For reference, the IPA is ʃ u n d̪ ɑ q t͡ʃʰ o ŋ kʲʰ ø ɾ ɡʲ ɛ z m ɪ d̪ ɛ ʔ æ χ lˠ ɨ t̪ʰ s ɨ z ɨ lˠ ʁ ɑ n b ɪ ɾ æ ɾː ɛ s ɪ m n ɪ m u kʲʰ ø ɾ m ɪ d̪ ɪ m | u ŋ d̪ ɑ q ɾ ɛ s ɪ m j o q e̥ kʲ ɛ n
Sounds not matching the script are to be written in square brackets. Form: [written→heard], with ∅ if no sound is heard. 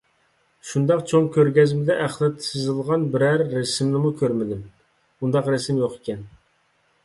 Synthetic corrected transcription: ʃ u n d̪ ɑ q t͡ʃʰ o ŋ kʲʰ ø ɾ ɡʲ ɛ z m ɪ d̪ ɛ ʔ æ χ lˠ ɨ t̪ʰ s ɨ z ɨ lˠ ʁ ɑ n b ɪ ɾ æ ɾː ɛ s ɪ m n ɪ m u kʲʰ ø ɾ m ɪ d̪ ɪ m | u [ŋ→n] d̪ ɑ q ɾ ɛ s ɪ m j o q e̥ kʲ ɛ n